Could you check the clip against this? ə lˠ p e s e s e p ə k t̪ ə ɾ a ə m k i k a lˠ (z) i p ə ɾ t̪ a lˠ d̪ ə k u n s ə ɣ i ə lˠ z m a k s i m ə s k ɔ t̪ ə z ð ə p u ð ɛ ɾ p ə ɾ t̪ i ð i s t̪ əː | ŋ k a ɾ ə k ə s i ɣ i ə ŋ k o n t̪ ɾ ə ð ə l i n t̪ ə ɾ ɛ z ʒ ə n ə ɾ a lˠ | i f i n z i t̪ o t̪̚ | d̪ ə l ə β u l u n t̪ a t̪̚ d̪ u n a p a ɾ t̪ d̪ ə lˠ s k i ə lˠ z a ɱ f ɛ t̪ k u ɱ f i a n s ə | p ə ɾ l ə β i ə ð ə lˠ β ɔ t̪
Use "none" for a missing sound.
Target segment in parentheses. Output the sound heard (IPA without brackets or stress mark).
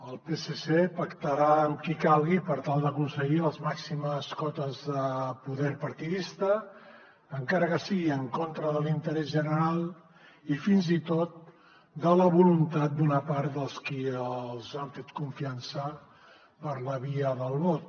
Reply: ɣ